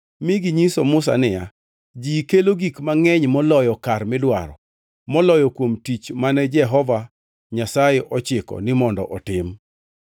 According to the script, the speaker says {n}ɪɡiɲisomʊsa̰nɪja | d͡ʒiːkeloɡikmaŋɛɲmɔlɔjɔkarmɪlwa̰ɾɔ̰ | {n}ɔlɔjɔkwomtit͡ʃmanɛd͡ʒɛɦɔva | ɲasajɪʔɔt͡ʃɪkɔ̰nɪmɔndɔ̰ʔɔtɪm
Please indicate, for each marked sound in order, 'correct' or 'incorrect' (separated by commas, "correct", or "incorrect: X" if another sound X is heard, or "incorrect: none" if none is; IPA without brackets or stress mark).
incorrect: m, incorrect: m